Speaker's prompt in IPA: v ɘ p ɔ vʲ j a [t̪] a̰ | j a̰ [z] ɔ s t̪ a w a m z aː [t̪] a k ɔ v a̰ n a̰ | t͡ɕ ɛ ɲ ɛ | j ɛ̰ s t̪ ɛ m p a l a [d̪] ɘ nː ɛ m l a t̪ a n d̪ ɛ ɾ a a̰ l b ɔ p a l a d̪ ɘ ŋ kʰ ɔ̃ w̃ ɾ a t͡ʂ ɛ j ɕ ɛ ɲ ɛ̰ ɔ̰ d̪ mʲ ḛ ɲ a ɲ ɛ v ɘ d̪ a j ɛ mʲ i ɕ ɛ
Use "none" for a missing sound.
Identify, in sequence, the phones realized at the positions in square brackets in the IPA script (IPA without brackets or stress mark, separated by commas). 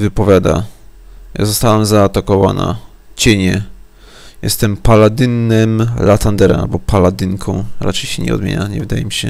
d̪, z, t̪, d̪